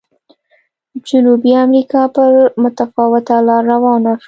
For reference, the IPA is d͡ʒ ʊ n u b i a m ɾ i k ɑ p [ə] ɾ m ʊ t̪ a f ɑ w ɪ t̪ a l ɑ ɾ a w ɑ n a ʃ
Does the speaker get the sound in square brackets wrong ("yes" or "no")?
no